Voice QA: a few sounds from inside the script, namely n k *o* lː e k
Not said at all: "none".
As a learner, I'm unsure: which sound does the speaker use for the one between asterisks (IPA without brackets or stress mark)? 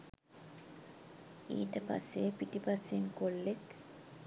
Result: o